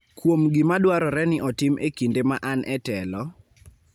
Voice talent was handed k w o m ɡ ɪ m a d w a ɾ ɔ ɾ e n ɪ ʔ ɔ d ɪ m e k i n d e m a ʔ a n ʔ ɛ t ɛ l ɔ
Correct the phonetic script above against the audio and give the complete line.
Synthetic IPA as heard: k w o m ɡ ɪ m a d w a ɾ ɔ ɾ ɛ n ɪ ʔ ɔ t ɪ m e k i n d e m a ʔ a n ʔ ɛ t ɛ l ɔ